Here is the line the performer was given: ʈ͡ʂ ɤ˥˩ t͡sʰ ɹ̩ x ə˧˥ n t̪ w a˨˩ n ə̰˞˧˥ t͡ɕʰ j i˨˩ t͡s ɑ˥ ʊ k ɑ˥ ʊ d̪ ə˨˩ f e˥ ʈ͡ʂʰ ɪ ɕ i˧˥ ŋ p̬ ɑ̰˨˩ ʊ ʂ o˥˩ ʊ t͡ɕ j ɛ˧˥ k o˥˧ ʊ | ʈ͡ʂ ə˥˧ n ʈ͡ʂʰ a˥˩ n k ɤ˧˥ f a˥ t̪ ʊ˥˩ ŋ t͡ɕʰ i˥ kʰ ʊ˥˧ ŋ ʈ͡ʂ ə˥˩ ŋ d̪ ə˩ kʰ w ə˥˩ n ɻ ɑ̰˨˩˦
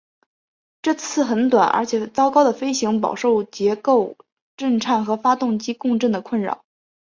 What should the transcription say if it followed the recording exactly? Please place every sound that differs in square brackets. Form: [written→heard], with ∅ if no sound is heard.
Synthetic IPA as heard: ʈ͡ʂ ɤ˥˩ t͡sʰ ɹ̩ x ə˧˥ n t̪ w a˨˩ n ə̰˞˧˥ t͡ɕʰ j [i˨˩→ɛ˨˩] t͡s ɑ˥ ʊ k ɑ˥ ʊ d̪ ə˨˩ f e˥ [ʈ͡ʂʰ→∅] ɪ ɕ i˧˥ ŋ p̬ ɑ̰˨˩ ʊ ʂ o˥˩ ʊ t͡ɕ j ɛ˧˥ k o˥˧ ʊ | ʈ͡ʂ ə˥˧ n ʈ͡ʂʰ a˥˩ n [k→x] ɤ˧˥ f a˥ t̪ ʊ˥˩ ŋ [t͡ɕʰ→t͡ɕ] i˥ [kʰ→k] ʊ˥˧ ŋ ʈ͡ʂ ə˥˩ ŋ d̪ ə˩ kʰ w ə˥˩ n ɻ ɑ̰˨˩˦